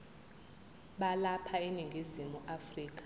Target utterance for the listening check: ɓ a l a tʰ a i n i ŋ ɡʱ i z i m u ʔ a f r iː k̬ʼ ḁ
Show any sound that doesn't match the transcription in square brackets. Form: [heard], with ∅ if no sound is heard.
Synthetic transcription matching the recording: ɓ a l a [pʰ] a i n i ŋ ɡʱ i z i m u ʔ a f r iː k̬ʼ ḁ